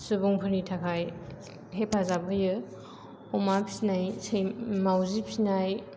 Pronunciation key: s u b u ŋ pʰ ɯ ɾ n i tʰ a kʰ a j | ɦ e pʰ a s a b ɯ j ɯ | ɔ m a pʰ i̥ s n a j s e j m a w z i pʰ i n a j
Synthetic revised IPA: s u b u ŋ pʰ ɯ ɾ n i tʰ a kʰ a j | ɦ e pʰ a z a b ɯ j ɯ | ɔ m a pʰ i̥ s n a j s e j m a w z i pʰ i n a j